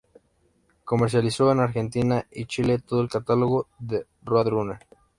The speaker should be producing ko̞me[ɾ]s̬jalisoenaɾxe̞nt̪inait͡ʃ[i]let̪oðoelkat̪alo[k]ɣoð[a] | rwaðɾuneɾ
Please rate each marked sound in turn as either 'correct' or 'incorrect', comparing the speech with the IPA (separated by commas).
correct, correct, incorrect, incorrect